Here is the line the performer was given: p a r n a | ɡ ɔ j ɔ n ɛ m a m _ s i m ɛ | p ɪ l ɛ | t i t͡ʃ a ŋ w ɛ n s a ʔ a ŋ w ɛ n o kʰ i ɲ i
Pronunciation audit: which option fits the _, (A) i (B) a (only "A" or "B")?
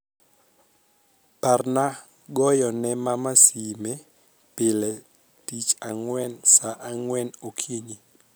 B